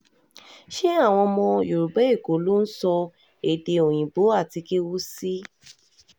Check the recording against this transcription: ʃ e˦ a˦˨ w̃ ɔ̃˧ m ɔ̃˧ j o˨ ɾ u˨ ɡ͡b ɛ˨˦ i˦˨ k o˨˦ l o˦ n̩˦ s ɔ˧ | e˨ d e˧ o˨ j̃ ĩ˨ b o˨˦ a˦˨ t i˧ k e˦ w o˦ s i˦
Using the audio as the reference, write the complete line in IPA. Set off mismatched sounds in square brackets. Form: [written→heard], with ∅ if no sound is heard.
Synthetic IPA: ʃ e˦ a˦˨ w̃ ɔ̃˧ m ɔ̃˧ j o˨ ɾ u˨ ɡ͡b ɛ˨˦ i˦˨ k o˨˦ l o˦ n̩˦ s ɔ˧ | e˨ d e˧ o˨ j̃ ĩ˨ b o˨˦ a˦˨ t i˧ k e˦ w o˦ s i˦